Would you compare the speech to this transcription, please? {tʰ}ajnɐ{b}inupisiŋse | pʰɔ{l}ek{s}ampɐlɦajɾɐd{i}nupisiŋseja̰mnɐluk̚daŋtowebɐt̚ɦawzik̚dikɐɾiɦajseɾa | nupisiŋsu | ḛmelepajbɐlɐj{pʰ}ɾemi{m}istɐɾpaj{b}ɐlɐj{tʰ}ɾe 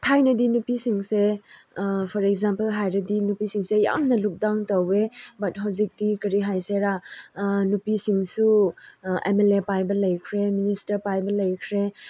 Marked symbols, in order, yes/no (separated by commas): yes, no, no, no, yes, no, no, yes, no